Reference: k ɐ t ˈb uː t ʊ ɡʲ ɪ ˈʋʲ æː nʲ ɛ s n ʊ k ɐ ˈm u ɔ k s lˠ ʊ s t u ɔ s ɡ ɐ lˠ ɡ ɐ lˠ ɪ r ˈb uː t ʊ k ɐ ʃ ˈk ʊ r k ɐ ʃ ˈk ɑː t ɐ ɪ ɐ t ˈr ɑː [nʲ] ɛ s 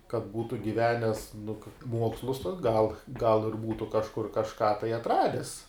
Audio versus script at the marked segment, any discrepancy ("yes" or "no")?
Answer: yes